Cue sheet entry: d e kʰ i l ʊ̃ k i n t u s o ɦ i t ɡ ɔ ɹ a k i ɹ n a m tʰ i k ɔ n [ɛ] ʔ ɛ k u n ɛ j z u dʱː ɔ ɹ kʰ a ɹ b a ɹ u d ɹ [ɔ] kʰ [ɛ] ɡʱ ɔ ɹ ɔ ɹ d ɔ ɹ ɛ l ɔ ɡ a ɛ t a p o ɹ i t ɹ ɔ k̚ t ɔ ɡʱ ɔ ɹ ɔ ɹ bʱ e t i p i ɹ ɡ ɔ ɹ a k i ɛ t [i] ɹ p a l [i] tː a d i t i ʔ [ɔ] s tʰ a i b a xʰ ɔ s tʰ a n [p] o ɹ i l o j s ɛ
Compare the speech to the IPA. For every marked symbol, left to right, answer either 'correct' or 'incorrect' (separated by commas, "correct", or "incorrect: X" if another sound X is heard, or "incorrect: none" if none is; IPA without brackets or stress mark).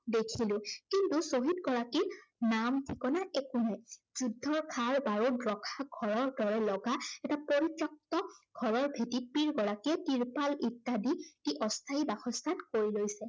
incorrect: a, correct, incorrect: a, correct, correct, correct, incorrect: k